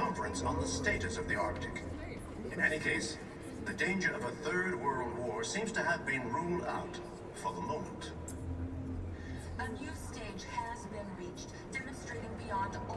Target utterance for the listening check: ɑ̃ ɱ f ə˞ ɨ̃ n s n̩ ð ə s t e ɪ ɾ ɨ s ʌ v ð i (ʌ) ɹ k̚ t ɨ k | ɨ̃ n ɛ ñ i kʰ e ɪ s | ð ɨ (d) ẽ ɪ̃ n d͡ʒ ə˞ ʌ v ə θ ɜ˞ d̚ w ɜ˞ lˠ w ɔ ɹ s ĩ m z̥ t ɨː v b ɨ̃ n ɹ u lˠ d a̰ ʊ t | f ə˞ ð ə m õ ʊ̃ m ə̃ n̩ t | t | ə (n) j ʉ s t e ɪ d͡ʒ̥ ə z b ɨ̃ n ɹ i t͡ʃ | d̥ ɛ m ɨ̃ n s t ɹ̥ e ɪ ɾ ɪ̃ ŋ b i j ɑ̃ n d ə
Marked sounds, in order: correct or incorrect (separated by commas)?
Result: incorrect, correct, correct